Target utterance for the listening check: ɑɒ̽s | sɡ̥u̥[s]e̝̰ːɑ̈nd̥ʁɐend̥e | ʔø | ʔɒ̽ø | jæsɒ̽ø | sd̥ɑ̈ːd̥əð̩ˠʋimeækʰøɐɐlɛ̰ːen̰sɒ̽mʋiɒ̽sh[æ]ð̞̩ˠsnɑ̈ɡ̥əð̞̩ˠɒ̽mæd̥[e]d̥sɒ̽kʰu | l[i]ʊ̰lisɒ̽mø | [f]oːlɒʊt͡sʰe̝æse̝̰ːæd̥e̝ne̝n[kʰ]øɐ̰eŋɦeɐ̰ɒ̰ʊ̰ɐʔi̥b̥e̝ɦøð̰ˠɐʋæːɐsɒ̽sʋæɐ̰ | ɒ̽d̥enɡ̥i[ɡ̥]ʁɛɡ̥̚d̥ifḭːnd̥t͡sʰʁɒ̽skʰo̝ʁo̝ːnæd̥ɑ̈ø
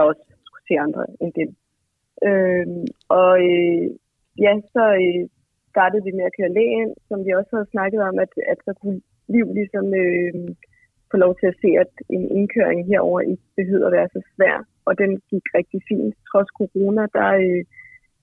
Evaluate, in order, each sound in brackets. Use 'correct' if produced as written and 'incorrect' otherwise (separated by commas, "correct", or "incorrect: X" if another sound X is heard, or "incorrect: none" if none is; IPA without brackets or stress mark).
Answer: correct, correct, incorrect: æ, correct, correct, correct, correct